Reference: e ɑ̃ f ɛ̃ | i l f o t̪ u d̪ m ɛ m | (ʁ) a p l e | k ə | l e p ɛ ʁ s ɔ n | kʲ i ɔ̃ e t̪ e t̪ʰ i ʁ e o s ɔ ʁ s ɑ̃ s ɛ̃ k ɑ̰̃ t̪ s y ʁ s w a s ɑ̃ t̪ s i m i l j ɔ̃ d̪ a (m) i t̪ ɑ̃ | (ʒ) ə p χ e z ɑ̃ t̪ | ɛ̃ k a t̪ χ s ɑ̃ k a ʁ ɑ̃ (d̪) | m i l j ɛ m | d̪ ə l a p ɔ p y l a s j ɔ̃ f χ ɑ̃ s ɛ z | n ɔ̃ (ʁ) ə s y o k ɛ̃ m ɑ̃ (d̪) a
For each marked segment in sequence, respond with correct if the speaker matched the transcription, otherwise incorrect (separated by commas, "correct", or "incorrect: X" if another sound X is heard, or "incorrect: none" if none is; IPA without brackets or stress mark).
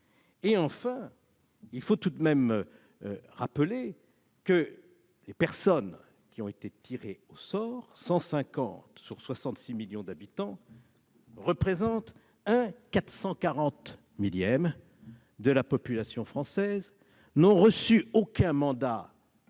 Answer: correct, incorrect: b, incorrect: ʁ, incorrect: t̪, correct, correct